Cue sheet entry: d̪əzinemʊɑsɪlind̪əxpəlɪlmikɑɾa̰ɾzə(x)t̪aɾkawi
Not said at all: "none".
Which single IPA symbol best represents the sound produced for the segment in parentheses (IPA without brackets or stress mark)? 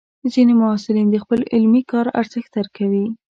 x